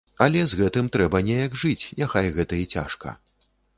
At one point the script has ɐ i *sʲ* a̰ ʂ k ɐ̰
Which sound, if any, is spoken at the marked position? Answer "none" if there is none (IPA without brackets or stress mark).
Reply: t͡sʲ